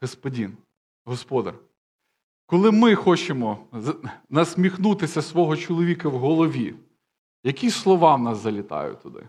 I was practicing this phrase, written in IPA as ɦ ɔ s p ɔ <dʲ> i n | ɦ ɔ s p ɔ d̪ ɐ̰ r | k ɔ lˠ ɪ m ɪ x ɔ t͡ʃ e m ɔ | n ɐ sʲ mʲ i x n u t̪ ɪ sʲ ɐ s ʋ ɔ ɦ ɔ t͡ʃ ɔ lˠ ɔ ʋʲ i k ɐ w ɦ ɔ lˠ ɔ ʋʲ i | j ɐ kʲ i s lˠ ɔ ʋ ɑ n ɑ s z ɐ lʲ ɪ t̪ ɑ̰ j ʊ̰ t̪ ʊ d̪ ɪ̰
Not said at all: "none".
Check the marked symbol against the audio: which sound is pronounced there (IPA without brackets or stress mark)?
dʲ